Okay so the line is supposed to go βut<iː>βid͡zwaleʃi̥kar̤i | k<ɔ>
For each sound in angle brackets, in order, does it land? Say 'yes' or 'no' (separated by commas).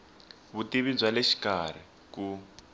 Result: no, no